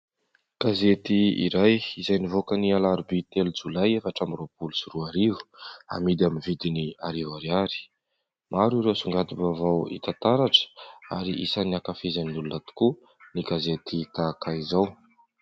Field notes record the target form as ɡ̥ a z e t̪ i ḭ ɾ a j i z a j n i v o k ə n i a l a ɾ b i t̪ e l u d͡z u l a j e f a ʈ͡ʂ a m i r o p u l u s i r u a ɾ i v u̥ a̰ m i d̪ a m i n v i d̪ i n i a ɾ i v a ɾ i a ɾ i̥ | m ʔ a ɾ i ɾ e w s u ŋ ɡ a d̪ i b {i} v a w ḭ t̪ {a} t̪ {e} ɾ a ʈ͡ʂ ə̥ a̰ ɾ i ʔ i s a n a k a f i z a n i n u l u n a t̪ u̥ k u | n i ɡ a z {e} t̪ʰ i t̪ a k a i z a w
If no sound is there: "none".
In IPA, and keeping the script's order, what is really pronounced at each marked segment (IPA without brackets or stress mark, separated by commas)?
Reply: a, a, a, e